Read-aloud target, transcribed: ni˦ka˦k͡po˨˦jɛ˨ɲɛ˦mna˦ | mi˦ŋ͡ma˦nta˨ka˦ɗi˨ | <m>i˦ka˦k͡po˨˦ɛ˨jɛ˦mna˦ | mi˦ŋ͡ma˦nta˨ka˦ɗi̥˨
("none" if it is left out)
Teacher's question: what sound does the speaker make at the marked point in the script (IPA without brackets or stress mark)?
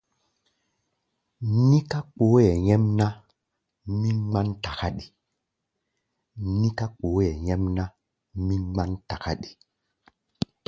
n